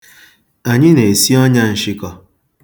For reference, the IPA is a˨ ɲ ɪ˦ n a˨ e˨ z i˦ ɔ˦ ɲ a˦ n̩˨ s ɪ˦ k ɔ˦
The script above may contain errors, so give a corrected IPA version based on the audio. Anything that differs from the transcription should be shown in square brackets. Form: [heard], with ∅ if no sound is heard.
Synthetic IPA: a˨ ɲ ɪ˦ n [e˨] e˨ [s] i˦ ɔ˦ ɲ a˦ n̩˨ [ʃ] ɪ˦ k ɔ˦

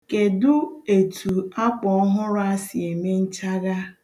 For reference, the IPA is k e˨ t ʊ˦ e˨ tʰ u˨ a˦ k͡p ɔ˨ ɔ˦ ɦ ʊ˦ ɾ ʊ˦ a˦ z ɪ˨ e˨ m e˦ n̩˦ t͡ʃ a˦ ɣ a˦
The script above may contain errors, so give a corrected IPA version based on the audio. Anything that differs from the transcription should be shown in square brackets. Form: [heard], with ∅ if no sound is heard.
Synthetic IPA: k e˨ [d] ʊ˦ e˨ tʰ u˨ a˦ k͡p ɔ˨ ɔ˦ ɦ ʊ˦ ɾ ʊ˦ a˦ [s] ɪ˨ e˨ m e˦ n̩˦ t͡ʃ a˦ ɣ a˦

